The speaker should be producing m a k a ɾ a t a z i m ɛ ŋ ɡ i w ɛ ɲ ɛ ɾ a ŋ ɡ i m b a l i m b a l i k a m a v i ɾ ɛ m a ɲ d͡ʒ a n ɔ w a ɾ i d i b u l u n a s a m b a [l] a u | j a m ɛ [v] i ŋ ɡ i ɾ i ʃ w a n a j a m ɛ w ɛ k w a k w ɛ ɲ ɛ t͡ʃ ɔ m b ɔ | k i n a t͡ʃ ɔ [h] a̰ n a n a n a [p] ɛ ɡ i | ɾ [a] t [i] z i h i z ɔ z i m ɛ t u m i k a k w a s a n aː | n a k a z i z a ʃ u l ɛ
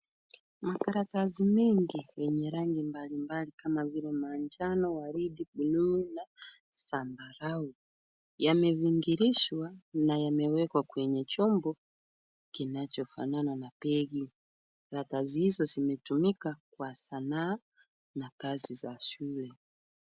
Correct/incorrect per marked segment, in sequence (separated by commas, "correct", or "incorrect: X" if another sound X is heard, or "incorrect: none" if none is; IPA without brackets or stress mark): incorrect: ɾ, correct, incorrect: f, correct, correct, incorrect: a